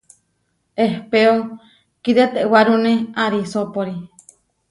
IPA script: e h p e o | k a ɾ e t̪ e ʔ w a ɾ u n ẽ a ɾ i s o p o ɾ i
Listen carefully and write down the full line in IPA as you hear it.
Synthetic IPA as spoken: e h p e o | k i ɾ e t̪ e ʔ w a ɾ u n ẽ a ɾ i s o p o ɾ i